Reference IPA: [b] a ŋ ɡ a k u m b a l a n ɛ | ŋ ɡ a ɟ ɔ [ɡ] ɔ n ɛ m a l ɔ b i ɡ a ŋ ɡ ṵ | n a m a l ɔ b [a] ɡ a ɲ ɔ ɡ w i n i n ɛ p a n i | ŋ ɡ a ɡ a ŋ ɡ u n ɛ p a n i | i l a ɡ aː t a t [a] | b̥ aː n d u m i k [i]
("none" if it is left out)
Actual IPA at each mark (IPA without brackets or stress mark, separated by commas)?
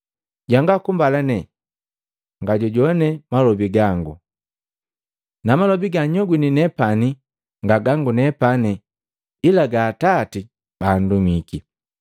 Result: ɟ, ɟ, i, i, i